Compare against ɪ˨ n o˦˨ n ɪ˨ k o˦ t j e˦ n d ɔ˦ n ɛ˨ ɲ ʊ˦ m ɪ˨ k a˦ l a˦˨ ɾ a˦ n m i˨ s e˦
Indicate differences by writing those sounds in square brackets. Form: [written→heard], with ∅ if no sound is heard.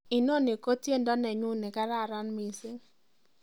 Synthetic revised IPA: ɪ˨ n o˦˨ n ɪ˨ k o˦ t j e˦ n d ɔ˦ n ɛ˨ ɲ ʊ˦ [m→n] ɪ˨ k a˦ [l→ɾ] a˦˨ ɾ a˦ n m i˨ s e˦